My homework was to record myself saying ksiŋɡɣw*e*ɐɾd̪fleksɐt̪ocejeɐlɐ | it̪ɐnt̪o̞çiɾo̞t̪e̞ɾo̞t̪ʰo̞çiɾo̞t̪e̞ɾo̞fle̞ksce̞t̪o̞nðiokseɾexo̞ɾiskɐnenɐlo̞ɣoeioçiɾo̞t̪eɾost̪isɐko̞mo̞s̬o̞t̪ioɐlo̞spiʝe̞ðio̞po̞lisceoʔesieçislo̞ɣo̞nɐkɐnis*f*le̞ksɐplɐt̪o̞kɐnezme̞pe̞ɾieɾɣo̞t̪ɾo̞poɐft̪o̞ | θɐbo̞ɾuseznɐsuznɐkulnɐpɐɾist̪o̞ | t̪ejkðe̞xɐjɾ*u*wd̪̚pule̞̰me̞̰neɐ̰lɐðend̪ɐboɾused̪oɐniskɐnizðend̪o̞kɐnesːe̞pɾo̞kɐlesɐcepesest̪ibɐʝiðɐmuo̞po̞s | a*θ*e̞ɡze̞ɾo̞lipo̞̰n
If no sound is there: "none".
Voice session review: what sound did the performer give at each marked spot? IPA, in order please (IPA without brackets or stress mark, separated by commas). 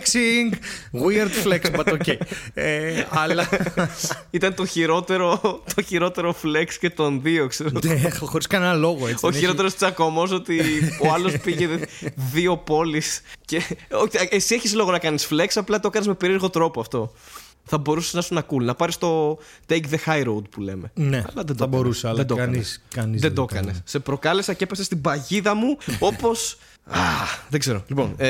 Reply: i, f, o, ð